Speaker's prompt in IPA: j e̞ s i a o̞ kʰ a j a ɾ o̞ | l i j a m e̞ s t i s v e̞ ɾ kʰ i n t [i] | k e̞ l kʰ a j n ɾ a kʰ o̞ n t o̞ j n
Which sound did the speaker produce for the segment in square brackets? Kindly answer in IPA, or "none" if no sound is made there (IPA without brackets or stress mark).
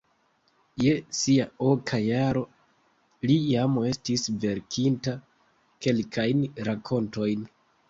a